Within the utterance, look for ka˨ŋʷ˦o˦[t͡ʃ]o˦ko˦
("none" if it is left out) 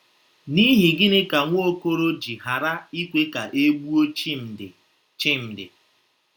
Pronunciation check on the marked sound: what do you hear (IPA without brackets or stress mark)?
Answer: none